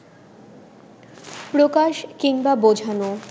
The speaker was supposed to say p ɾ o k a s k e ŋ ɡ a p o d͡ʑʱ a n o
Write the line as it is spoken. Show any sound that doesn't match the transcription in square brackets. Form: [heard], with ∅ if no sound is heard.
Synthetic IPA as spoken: p ɾ o k a [ʃ] k [i] ŋ [b] a [b] o d͡ʑʱ a n o